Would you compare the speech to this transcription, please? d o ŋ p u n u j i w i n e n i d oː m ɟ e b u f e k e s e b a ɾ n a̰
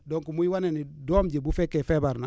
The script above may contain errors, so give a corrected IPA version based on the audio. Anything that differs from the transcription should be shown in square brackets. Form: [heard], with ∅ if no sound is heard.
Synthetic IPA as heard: d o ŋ [k] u [m] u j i w [a] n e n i d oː m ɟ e b u f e k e [f] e b a ɾ n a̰